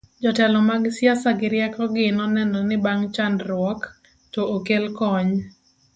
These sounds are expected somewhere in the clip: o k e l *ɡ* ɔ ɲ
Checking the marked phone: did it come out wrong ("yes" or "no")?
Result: yes